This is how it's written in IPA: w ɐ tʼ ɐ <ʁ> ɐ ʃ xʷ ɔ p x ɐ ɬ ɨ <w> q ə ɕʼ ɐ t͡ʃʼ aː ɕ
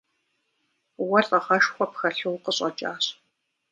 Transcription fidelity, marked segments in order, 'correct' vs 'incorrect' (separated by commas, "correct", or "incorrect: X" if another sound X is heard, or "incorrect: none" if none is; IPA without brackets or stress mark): correct, correct